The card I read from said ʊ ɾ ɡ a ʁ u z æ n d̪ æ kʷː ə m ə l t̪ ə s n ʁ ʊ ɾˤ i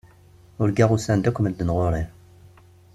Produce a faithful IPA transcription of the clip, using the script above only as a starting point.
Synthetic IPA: ʊ ɾ ɡ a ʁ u s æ n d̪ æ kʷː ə m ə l d̪ ə n ʁ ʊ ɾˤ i